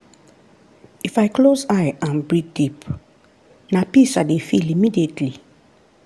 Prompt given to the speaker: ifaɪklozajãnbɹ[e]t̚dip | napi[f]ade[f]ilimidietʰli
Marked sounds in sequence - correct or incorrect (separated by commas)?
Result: incorrect, incorrect, correct